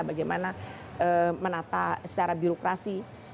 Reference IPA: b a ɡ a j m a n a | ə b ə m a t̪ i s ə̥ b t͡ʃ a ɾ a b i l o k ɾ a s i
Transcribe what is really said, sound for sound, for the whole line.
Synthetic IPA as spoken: b a ɡ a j m a n a | ə m ə n a t̪ a s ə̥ t͡ʃ a ɾ a b i ɾ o k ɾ a s i